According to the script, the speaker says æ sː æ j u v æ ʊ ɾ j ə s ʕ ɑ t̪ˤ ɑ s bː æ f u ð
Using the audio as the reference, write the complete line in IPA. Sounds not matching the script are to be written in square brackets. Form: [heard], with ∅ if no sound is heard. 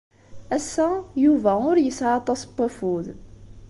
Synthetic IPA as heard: æ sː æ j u v æ ʊ ɾ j ə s ʕ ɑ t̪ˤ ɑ s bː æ f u ð